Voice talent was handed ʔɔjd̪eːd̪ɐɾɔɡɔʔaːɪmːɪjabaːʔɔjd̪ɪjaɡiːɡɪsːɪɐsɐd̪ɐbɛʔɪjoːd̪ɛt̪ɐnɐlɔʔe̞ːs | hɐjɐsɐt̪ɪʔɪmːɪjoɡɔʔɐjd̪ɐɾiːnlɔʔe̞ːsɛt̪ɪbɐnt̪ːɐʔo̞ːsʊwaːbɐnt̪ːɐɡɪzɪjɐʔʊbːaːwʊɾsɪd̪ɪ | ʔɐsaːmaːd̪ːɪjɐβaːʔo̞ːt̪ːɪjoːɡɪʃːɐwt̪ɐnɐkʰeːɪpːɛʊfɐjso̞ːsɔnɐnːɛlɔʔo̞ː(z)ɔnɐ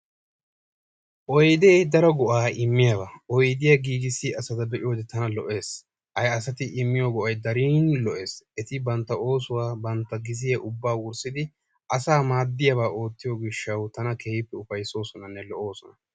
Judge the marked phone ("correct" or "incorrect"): incorrect